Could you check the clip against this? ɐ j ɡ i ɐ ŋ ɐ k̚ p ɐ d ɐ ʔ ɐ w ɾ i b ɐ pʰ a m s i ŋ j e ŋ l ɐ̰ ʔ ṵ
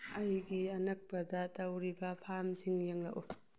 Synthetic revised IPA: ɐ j ɡ i ɐ n ɐ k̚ p ɐ d ɐ t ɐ w ɾ i b ɐ pʰ a m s i ŋ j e ŋ l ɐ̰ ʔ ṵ